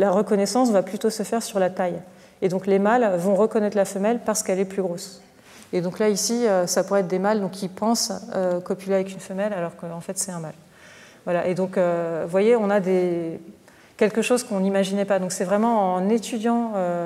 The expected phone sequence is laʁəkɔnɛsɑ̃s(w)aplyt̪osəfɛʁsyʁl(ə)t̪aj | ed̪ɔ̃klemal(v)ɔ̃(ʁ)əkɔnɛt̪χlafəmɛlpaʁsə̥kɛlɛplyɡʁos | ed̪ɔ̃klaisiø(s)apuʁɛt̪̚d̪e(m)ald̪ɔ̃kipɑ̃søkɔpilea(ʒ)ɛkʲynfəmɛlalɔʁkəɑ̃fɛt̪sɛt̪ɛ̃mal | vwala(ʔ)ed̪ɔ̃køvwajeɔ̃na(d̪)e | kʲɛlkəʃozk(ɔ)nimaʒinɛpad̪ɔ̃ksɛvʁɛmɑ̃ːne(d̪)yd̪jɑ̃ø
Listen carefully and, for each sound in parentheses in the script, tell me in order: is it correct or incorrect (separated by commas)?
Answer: incorrect, incorrect, correct, correct, correct, correct, incorrect, correct, correct, incorrect, incorrect